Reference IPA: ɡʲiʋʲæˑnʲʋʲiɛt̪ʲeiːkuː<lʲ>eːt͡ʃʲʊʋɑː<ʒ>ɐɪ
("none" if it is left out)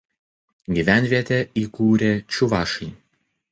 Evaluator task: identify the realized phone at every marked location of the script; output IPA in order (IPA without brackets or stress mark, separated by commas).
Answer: ɾʲ, ʃ